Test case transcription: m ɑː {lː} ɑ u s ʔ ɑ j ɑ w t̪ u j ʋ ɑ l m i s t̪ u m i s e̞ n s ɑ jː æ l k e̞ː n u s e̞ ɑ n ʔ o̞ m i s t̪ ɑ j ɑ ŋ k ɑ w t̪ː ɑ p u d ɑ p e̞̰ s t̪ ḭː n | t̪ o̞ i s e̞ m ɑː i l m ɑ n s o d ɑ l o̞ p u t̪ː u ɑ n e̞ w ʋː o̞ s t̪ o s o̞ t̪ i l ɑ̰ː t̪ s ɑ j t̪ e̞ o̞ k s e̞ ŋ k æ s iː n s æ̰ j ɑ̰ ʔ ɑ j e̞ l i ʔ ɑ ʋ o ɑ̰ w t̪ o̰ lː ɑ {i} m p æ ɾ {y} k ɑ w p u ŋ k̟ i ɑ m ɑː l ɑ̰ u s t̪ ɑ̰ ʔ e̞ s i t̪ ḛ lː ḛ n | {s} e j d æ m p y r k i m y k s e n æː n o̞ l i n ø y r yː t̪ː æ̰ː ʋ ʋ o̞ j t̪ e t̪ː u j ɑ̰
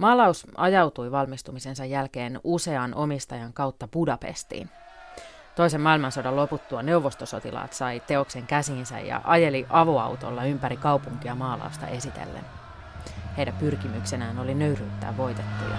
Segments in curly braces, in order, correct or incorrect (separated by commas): incorrect, incorrect, incorrect, incorrect